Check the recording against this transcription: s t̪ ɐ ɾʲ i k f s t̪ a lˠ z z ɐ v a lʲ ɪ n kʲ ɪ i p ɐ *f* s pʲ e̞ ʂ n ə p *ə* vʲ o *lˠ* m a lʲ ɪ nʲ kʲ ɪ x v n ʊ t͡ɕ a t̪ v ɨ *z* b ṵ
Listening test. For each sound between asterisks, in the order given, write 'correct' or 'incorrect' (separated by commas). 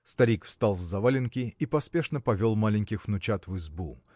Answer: incorrect, incorrect, correct, correct